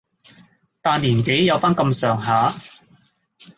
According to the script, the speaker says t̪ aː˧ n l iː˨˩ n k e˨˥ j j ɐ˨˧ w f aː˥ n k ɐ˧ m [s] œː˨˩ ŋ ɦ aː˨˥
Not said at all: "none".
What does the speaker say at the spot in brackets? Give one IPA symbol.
s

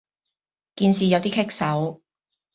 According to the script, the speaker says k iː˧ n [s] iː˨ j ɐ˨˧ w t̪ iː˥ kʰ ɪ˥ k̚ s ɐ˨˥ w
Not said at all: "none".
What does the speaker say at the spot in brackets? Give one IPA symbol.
s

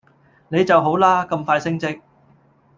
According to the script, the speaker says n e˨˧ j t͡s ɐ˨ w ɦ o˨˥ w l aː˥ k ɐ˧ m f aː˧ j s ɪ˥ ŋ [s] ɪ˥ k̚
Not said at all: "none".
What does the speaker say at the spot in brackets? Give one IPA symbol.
t͡s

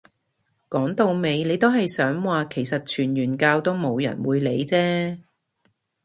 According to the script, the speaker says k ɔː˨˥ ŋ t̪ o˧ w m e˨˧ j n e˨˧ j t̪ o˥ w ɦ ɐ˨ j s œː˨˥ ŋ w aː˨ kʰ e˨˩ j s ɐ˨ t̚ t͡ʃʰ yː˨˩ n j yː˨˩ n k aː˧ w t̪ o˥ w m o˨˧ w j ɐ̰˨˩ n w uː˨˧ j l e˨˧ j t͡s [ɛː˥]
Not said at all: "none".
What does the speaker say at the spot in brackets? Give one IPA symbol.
ɛː˥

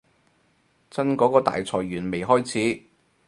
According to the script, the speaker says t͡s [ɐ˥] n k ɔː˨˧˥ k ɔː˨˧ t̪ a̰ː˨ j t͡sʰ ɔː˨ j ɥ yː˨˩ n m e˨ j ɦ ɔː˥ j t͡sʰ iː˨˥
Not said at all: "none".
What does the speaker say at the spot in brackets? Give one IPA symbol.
ɐ˥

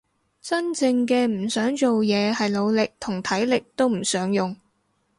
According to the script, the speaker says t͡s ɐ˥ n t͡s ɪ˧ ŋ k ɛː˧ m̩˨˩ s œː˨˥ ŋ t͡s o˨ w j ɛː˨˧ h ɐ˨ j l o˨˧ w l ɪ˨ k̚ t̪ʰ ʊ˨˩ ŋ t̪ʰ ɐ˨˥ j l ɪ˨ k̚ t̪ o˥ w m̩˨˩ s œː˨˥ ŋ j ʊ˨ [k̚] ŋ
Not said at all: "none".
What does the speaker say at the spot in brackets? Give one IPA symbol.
none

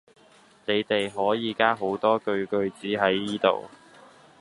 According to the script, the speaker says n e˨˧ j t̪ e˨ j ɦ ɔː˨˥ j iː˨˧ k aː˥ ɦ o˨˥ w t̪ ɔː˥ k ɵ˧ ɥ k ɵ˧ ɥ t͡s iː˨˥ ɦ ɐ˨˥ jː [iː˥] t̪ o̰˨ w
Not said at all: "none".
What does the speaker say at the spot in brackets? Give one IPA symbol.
iː˥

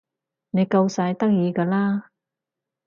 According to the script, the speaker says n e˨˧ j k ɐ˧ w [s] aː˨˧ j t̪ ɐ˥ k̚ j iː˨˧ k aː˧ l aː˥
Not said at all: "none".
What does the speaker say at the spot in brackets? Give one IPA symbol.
s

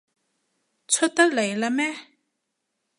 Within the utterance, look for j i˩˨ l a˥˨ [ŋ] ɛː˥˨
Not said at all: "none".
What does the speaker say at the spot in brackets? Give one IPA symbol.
m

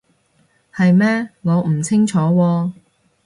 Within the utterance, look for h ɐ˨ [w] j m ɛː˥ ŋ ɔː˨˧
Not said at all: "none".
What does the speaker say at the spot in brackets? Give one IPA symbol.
none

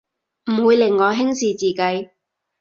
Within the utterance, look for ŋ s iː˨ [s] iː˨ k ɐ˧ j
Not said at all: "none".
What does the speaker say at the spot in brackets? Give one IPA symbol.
t͡s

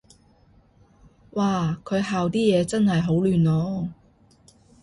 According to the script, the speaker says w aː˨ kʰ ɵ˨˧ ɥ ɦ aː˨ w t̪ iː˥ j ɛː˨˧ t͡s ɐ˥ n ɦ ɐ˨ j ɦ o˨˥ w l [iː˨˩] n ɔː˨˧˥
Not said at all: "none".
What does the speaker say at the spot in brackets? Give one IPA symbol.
yː˨˩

